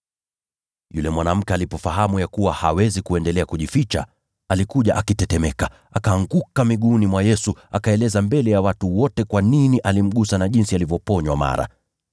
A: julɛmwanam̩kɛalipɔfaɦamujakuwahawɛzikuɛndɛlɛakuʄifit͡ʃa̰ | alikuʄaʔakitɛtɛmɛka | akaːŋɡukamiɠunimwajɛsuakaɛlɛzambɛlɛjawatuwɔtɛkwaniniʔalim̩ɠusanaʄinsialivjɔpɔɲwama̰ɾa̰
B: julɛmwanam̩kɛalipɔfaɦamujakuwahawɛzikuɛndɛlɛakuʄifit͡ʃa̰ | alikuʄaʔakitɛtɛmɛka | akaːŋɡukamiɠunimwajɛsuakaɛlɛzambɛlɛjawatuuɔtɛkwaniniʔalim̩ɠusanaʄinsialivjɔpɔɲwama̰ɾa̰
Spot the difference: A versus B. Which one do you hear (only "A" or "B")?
A